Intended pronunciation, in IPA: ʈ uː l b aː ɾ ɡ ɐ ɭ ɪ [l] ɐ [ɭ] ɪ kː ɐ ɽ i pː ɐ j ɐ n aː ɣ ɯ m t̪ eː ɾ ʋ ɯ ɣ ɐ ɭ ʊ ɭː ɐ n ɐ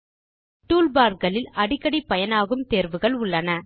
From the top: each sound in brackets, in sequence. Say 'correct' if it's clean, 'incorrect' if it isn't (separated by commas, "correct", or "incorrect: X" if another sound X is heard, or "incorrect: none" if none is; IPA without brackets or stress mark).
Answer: correct, incorrect: ɽ